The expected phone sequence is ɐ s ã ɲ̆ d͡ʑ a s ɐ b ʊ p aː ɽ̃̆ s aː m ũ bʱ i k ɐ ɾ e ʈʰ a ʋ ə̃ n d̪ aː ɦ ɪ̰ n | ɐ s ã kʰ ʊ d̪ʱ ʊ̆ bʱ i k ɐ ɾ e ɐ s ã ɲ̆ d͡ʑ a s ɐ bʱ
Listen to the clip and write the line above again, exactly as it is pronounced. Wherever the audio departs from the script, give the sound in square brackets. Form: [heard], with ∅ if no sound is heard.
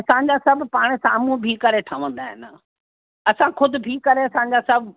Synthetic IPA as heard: ɐ s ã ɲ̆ d͡ʑ a s ɐ b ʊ p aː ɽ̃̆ s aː m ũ bʱ i k ɐ ɾ e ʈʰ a ʋ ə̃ n d̪ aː ɦ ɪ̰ n | ɐ s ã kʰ ʊ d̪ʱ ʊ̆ bʱ i k ɐ ɾ e ɐ s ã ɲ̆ d͡ʑ a s ɐ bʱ